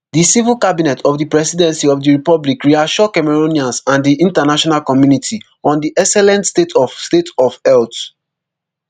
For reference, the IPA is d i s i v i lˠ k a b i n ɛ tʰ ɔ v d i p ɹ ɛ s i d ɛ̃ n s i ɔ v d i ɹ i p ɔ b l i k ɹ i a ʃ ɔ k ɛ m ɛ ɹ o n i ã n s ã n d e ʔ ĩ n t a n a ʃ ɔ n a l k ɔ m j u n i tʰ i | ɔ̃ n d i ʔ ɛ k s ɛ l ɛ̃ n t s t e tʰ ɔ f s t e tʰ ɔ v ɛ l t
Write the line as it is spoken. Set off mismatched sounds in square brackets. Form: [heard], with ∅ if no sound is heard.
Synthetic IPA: d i s i v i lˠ k a b i n ɛ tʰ ɔ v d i p ɹ ɛ s i d ɛ̃ n s i ɔ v d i ɹ i p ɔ b l i k ɹ i a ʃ ɔ k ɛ m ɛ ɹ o n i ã n s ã n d [i] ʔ ĩ n t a n a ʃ ɔ n a l k ɔ m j u n i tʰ i | ɔ̃ n d i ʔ ɛ k s ɛ l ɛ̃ n t s t e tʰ ɔ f s t e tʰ ɔ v ɛ l t